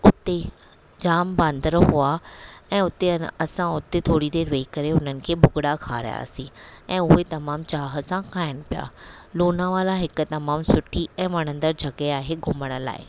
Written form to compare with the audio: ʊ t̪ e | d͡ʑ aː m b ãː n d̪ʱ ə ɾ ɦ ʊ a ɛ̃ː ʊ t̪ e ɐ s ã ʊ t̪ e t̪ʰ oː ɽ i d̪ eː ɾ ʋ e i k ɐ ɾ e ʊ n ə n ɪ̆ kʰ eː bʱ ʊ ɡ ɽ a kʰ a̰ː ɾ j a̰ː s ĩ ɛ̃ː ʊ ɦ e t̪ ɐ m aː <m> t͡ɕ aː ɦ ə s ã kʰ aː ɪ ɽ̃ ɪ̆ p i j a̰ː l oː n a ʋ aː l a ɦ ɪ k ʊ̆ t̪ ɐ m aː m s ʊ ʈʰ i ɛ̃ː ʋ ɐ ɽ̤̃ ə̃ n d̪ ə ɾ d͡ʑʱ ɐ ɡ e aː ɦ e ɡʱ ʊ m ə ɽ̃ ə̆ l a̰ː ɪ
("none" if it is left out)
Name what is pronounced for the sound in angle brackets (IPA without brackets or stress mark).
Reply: m